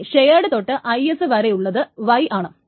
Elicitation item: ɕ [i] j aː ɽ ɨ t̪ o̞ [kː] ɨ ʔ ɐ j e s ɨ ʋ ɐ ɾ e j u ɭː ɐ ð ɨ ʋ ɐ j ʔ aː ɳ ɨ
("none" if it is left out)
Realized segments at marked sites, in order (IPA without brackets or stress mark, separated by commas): e, ʈː